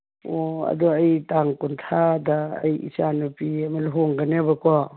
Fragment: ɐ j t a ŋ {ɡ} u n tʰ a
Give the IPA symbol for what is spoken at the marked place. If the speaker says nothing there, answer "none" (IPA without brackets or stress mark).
k